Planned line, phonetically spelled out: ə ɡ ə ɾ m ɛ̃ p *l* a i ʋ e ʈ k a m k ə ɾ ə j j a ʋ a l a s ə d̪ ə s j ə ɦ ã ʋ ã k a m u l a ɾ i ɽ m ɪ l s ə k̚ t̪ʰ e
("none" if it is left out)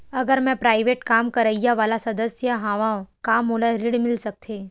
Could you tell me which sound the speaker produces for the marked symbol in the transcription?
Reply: ɾ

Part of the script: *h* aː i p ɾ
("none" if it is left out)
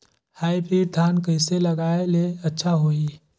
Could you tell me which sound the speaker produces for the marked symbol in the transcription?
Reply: h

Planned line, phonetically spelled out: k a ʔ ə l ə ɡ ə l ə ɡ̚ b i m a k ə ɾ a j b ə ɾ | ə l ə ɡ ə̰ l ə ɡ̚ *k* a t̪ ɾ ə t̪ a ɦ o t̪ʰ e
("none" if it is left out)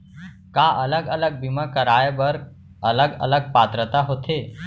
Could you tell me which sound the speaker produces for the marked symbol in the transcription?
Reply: p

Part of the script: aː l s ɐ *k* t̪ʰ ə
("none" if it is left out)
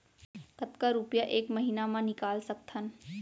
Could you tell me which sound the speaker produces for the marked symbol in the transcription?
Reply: k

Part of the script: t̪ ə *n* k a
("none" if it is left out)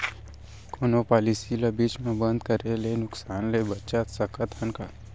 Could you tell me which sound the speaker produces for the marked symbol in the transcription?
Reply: n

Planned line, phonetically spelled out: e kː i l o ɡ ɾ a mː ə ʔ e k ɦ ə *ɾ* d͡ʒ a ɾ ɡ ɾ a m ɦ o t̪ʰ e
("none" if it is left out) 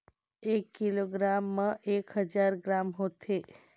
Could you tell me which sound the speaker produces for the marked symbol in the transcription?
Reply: none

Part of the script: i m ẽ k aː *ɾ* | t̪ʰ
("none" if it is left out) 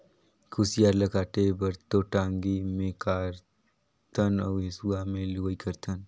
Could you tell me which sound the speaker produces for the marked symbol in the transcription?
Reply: ɾ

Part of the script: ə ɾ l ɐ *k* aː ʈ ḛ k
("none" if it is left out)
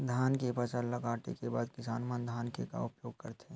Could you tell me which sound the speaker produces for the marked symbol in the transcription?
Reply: ɡ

